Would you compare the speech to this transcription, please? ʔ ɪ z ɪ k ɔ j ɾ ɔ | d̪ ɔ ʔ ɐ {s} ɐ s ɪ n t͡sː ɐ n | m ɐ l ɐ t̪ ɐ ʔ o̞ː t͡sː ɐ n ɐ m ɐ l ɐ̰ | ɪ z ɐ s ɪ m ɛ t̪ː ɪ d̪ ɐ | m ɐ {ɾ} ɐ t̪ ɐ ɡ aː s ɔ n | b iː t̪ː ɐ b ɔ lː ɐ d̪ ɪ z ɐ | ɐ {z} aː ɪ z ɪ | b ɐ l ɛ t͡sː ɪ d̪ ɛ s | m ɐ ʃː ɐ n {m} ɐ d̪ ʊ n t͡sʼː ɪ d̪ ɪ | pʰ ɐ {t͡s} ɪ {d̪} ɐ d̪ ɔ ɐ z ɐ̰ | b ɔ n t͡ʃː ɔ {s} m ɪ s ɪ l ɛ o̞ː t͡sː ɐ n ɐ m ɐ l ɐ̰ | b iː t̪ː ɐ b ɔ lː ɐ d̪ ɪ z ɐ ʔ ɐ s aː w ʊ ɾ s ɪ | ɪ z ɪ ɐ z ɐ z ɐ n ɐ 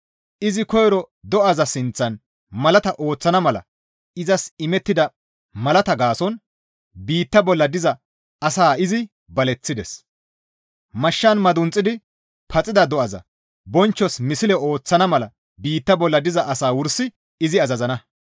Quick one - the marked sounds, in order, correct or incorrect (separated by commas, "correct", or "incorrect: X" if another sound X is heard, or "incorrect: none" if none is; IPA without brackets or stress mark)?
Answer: incorrect: z, incorrect: l, incorrect: s, correct, incorrect: t͡sʼ, correct, correct